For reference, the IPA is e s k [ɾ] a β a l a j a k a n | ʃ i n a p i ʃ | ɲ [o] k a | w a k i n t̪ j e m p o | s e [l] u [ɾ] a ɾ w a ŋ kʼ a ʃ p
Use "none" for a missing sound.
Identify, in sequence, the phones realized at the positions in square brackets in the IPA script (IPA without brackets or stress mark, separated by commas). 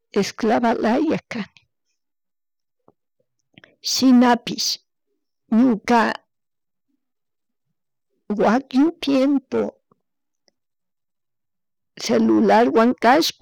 l, u, l, l